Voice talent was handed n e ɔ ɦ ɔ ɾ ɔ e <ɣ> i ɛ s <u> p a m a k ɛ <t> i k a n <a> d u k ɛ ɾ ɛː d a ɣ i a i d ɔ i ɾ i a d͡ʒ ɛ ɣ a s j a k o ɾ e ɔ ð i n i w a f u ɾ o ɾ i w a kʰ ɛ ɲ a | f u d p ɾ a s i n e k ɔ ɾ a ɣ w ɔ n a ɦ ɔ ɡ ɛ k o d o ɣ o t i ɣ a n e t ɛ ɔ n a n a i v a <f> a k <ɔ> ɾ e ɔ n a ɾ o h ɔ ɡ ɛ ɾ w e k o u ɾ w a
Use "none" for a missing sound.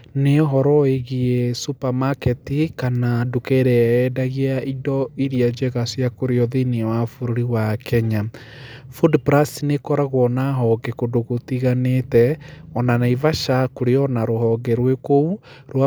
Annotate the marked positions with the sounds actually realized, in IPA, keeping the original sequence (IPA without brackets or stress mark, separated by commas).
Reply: ɣ, u, t, a, ʃ, o